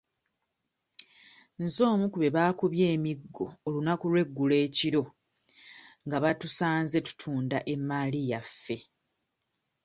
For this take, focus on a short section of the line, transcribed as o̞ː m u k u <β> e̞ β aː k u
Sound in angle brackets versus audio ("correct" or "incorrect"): correct